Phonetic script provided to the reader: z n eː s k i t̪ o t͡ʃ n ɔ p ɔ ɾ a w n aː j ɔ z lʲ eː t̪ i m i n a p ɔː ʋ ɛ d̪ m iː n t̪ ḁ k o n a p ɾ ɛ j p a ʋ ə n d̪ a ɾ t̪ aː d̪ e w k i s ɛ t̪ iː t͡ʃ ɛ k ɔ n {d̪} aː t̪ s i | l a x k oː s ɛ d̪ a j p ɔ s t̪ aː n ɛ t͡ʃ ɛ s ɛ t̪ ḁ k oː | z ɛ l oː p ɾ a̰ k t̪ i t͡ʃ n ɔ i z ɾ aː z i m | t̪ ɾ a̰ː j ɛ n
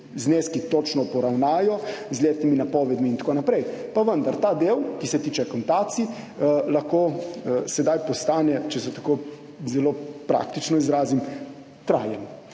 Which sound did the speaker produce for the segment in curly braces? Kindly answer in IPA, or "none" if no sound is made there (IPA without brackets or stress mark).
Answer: t̪